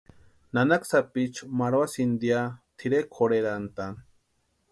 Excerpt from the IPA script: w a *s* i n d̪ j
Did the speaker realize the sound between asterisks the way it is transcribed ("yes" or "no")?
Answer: yes